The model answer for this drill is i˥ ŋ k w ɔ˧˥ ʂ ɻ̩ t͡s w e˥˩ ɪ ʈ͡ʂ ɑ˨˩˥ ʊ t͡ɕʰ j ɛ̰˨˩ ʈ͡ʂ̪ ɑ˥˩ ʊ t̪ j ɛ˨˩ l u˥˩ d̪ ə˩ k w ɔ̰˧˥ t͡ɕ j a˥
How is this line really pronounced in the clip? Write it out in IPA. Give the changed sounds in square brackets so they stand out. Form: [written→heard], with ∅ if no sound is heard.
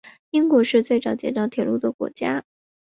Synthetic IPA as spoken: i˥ ŋ k w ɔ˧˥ ʂ ɻ̩ t͡s w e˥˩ ɪ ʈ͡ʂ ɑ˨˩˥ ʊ [t͡ɕʰ→t͡ɕ] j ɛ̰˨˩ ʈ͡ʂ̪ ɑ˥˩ ʊ [t̪→t̪ʰ] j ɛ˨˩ l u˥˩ d̪ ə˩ k w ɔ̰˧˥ t͡ɕ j a˥